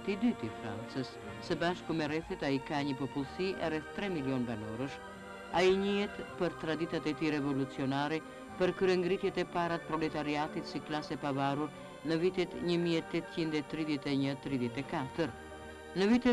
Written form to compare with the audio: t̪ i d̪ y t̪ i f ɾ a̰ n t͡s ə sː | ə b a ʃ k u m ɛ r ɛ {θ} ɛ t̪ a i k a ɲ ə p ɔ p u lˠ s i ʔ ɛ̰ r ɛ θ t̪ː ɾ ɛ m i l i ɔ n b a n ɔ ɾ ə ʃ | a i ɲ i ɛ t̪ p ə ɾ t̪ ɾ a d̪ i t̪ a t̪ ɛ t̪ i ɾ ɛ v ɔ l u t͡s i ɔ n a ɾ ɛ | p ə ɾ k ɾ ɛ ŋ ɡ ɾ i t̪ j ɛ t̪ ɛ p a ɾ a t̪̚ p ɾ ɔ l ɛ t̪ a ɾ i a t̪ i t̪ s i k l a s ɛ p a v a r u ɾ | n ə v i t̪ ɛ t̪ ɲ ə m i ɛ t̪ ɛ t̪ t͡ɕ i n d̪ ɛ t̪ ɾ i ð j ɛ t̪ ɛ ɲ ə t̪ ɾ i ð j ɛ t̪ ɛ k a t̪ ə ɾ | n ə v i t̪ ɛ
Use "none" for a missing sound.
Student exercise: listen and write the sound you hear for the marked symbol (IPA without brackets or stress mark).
θ